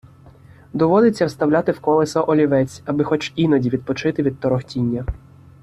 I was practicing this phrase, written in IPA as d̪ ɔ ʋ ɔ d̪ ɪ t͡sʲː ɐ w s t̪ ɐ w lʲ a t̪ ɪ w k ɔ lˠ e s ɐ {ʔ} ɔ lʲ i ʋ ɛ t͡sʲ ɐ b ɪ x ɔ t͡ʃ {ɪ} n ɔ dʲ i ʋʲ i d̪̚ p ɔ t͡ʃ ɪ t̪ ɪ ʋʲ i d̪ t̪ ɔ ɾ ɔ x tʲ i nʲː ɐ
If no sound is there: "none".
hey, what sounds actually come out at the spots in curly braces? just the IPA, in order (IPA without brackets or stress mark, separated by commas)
ʔ, i